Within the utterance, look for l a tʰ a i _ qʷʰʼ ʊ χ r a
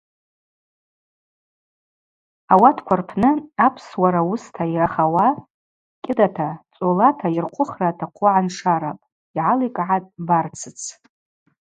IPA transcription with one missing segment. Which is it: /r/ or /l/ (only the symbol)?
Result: r